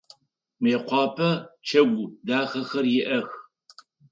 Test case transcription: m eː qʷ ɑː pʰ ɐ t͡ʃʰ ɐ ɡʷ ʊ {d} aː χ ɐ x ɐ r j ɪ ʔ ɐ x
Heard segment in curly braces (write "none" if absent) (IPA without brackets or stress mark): d